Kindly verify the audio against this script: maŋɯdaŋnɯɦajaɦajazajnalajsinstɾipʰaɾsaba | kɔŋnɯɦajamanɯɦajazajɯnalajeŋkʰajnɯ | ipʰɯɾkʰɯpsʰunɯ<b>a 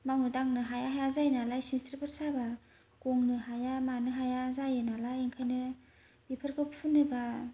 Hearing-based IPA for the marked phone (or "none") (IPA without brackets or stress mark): b